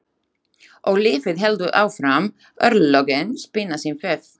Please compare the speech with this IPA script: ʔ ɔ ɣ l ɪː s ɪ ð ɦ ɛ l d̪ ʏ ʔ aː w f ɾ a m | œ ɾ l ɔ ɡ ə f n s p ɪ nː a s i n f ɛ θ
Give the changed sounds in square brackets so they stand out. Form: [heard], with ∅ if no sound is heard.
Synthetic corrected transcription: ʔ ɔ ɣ l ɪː [f] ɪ ð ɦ ɛ l d̪ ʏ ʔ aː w f ɾ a m | œ ɾ l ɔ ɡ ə [∅] n s p ɪ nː a s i n f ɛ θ